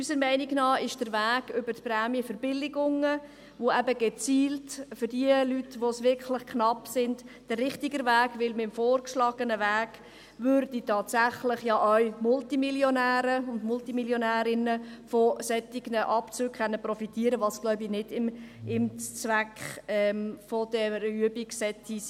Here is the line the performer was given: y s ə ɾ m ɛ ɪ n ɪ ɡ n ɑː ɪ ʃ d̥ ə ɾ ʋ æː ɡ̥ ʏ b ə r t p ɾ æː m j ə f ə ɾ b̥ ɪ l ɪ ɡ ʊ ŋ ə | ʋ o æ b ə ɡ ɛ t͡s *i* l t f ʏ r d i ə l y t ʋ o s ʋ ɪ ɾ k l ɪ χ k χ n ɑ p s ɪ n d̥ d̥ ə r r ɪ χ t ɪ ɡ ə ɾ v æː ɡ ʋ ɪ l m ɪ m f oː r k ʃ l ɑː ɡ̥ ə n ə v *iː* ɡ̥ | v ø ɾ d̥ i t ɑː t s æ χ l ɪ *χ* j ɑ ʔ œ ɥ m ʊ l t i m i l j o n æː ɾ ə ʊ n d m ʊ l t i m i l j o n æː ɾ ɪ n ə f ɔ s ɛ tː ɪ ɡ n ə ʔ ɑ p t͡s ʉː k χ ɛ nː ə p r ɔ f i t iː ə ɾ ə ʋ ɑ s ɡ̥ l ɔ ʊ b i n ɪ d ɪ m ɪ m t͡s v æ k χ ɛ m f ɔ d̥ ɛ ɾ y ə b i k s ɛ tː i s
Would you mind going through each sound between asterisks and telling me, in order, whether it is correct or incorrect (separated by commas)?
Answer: incorrect, incorrect, correct